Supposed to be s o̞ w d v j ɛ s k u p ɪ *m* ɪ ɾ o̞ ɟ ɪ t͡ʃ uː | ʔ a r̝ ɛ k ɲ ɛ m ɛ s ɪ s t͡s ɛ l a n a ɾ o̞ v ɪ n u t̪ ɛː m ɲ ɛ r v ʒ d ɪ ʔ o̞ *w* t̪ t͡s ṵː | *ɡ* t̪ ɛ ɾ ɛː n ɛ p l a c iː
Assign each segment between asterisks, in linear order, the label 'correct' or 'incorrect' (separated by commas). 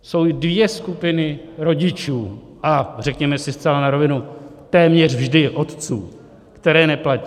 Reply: incorrect, incorrect, incorrect